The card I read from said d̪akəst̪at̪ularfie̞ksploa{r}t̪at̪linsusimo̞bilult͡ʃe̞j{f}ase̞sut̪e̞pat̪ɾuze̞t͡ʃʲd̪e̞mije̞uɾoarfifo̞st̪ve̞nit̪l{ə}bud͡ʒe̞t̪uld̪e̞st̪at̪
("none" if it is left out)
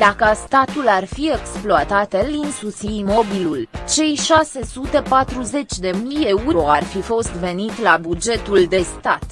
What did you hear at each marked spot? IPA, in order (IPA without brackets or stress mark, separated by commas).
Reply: none, ʃ, a